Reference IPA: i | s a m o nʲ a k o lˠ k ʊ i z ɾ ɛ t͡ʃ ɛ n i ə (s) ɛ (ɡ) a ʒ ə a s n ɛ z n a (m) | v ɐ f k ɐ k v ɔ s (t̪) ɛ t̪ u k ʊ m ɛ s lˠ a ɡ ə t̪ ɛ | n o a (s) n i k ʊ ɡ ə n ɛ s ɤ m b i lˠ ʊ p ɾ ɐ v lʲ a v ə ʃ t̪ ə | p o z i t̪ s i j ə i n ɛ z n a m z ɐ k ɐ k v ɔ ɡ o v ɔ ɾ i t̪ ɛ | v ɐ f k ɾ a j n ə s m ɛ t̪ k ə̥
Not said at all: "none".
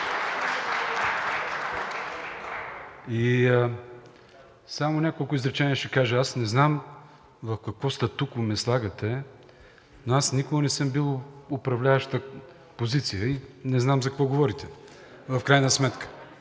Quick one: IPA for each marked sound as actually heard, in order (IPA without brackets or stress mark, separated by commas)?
ʃ, k, m, t̪, s